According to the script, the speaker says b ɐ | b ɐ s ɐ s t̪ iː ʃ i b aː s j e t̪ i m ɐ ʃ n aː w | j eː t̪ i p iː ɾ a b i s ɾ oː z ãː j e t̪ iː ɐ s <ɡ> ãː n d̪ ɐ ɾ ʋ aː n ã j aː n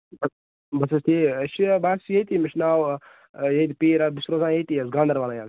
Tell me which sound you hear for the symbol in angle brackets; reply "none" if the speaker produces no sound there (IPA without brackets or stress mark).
ɡ